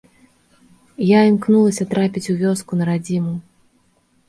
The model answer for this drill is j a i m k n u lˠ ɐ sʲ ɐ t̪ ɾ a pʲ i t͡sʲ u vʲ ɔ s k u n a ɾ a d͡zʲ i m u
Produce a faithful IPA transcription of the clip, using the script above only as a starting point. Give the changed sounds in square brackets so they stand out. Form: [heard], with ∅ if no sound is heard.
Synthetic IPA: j a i m k n u lˠ ɐ sʲ ɐ t̪ ɾ a pʲ i t͡sʲ u vʲ ɔ s k u n [ɐ] ɾ a d͡zʲ i m u